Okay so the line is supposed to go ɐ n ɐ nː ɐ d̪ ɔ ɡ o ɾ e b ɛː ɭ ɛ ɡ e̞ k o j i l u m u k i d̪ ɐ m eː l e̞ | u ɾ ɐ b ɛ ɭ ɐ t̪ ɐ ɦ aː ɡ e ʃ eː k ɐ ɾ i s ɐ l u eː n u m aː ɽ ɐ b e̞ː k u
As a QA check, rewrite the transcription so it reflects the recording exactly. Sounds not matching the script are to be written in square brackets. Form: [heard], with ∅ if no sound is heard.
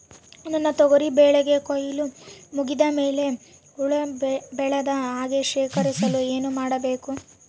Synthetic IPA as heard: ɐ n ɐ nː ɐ [t̪] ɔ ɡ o ɾ [i] b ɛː ɭ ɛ ɡ e̞ k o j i l u m u [ɡ] i d̪ ɐ m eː l e̞ | u [ɭ] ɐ b ɛ ɭ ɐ [d̪] ɐ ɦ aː ɡ e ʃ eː k ɐ ɾ i s ɐ l u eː n u m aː ɽ ɐ b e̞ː k u

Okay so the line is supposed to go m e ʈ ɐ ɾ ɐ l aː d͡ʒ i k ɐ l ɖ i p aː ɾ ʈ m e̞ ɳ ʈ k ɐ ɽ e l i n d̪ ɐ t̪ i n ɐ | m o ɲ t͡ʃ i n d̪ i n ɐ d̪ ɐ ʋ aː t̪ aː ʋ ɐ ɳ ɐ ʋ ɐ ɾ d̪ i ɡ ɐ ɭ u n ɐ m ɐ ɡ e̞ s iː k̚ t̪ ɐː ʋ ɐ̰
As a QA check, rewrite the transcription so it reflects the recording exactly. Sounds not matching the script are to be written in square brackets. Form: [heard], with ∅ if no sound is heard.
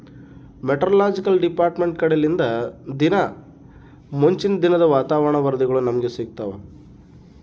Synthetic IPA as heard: m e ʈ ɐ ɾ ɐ l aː d͡ʒ i k ɐ l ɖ i p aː ɾ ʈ m e̞ ɳ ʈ k ɐ ɽ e l i n d̪ ɐ [d̪] i n ɐ | m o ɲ t͡ʃ i n d̪ i n ɐ d̪ ɐ ʋ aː t̪ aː ʋ ɐ ɳ ɐ ʋ ɐ ɾ d̪ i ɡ ɐ ɭ u n ɐ m ɐ ɡ e̞ s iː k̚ t̪ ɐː ʋ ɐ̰

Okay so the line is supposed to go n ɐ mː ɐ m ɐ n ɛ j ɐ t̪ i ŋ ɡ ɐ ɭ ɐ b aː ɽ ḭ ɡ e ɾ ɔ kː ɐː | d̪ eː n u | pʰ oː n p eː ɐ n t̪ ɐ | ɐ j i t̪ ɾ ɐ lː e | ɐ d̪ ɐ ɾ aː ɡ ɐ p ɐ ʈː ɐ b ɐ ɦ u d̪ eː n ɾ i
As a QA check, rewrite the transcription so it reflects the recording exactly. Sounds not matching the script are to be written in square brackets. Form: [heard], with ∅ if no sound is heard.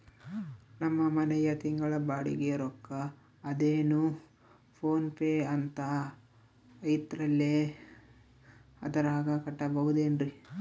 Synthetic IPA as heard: n ɐ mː ɐ m ɐ n ɛ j ɐ t̪ i ŋ ɡ ɐ ɭ ɐ b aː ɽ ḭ ɡ e ɾ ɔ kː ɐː | d̪ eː n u | pʰ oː n p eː ɐ n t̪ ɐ | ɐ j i t̪ ɾ ɐ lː e | ɐ d̪ ɐ ɾ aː ɡ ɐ [k] ɐ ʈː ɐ b ɐ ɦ u d̪ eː n ɾ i

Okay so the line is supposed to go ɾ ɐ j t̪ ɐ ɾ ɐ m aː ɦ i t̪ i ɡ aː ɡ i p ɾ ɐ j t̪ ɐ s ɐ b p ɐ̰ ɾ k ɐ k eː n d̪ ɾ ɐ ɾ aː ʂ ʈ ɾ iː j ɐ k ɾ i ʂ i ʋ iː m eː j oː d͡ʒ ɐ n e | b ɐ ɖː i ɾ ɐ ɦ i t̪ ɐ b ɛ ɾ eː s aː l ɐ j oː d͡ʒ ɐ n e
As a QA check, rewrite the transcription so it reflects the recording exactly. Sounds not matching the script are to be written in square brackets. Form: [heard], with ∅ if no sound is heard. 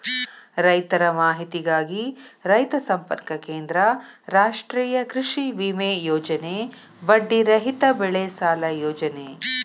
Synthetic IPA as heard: ɾ ɐ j t̪ ɐ ɾ ɐ m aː ɦ i t̪ i ɡ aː ɡ i [∅] ɾ ɐ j t̪ ɐ s ɐ [m] p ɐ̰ ɾ k ɐ k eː n d̪ ɾ ɐ ɾ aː ʂ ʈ ɾ iː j ɐ k ɾ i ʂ i ʋ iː m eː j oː d͡ʒ ɐ n e | b ɐ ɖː i ɾ ɐ ɦ i t̪ ɐ b ɛ [ɭ] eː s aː l ɐ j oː d͡ʒ ɐ n e

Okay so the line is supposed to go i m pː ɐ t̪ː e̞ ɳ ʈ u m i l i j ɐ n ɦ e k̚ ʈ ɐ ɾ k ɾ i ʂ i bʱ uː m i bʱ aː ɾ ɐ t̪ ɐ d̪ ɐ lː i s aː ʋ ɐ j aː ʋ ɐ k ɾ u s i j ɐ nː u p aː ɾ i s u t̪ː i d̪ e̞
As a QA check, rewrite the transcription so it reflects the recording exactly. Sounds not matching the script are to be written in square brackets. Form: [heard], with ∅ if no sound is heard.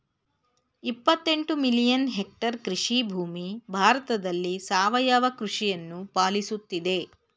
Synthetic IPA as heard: i [∅] pː ɐ t̪ː e̞ ɳ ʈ u m i l i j ɐ n ɦ e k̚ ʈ ɐ ɾ k ɾ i ʂ i bʱ uː m i bʱ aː ɾ ɐ t̪ ɐ d̪ ɐ lː i s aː ʋ ɐ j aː ʋ ɐ k ɾ u [ʂ] i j ɐ nː u p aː [l] i s u t̪ː i d̪ e̞

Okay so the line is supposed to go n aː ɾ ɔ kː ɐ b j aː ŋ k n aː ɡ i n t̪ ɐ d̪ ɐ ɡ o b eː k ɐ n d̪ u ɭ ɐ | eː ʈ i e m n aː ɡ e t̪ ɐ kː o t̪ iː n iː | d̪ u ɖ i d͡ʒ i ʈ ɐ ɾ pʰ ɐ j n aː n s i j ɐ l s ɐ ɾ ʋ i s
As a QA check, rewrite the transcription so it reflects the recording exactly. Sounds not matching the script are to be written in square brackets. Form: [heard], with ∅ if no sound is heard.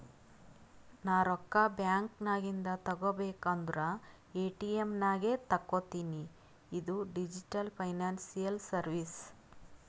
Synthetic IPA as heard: n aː ɾ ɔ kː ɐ b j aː ŋ k n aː ɡ i n [d̪] ɐ [t̪] ɐ ɡ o b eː k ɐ n d̪ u [ɾ] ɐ | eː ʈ i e m n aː ɡ e t̪ ɐ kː o t̪ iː n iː | d̪ u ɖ i d͡ʒ i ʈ ɐ [l] pʰ ɐ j n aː n s i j ɐ l s ɐ ɾ ʋ i s

